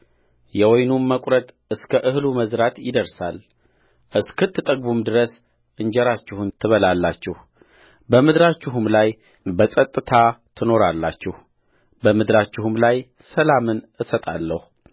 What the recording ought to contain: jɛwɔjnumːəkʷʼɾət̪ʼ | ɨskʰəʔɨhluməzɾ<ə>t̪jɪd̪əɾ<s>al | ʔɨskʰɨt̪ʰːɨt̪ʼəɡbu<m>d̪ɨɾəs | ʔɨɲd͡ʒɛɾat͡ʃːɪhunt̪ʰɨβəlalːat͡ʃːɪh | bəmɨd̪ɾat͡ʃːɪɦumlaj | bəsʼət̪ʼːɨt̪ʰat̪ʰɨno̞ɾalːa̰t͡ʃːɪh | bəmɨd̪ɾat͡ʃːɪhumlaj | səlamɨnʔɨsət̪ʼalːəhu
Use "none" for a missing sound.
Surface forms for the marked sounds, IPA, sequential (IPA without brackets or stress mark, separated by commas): a, s, m